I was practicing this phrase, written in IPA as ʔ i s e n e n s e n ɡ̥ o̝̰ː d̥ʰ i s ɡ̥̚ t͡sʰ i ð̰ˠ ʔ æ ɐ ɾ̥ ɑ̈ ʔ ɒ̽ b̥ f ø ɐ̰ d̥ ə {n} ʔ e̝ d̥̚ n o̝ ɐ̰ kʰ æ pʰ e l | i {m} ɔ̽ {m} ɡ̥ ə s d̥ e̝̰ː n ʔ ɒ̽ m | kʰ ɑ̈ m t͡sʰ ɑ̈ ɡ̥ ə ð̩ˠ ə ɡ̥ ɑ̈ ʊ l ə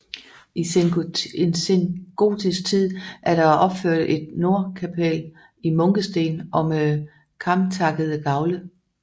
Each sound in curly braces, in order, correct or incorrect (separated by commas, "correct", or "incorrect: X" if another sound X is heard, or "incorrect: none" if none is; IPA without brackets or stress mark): incorrect: none, correct, incorrect: ŋ